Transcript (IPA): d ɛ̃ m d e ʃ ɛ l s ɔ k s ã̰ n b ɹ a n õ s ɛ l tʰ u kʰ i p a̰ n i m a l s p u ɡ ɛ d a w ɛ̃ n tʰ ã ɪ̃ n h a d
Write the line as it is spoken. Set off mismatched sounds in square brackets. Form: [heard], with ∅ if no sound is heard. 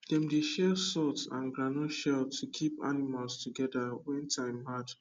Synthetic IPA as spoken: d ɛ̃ m d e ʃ ɛ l s ɔ [t] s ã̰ n [ɡ] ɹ a n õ [ʃ] ɛ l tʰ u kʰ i p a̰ n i m a l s [t] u ɡ ɛ d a w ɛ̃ n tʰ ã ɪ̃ [m] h a d